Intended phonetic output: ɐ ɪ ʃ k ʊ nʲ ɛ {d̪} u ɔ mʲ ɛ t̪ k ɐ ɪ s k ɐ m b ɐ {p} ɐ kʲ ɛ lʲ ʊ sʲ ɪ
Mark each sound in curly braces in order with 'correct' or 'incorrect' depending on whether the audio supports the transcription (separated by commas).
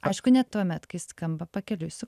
incorrect, correct